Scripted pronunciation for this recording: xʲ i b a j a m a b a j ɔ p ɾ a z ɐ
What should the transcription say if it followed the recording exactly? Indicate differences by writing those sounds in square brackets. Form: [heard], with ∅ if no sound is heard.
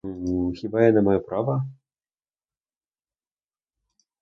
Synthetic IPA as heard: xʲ i b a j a [n] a [m] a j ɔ p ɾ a [v] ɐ